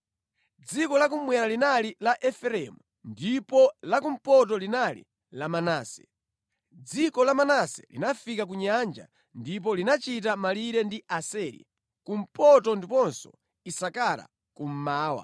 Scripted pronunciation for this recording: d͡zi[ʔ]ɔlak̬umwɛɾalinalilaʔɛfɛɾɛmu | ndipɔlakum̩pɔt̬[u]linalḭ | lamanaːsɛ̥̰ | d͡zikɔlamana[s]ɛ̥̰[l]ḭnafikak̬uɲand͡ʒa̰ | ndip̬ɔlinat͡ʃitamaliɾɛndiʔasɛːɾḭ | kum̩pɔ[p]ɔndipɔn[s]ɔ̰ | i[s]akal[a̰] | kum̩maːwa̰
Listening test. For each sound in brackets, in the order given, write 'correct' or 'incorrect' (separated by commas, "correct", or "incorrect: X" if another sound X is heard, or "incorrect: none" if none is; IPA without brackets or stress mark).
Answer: incorrect: k, incorrect: ɔ, correct, correct, incorrect: t, correct, correct, correct